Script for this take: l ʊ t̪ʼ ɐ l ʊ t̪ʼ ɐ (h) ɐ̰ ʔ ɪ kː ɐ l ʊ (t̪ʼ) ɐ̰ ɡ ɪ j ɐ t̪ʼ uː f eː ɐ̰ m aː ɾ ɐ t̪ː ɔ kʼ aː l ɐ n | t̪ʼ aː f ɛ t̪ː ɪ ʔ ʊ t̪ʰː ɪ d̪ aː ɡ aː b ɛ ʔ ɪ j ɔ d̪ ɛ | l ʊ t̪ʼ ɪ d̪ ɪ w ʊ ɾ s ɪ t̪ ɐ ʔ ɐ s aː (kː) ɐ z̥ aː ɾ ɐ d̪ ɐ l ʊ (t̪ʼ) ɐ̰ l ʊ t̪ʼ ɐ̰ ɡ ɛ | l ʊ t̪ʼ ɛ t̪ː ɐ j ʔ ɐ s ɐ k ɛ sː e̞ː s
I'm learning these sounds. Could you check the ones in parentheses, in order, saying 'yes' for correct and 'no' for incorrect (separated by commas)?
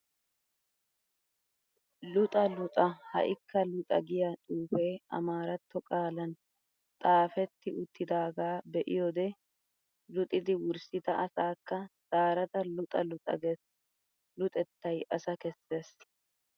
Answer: yes, yes, yes, yes